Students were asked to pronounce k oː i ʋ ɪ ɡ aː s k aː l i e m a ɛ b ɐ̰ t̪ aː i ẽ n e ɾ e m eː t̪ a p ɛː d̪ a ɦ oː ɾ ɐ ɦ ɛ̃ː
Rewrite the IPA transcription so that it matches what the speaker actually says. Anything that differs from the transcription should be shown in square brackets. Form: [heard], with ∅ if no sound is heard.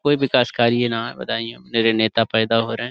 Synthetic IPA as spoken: k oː i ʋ ɪ [k] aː s k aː [ɾ] i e [n] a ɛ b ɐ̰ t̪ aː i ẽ n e ɾ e [n] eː t̪ a p ɛː d̪ a ɦ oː ɾ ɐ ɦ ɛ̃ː